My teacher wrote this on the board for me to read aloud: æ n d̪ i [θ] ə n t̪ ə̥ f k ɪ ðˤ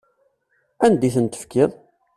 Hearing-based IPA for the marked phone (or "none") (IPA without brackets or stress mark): θ